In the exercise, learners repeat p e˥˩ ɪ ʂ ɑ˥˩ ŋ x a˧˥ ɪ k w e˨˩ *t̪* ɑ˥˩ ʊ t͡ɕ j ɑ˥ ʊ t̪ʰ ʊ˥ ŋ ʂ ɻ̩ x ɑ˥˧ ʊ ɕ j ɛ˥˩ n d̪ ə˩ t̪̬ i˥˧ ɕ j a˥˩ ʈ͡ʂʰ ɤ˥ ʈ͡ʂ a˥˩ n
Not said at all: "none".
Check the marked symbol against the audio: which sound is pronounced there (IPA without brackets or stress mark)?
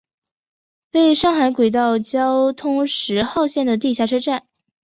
t̪